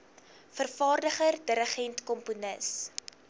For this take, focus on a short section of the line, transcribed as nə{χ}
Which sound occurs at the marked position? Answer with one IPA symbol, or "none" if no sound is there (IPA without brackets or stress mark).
s